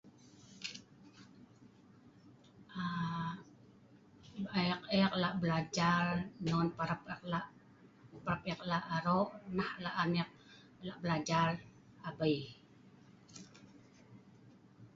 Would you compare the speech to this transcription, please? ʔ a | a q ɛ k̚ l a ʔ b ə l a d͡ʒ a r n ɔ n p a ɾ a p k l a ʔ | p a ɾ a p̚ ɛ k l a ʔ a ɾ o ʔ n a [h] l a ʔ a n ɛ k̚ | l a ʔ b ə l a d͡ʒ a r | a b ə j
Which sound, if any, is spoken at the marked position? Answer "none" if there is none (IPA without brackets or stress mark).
h